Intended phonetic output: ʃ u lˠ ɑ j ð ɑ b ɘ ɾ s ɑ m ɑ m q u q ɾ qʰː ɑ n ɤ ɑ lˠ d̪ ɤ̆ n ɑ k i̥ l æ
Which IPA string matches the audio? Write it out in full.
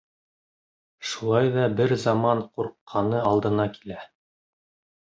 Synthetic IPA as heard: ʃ u lˠ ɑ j ð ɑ b ɘ ɾ z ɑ m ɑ ɴ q u ɾ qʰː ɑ n ɤ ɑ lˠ d̪ ɤ̆ n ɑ k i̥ l æ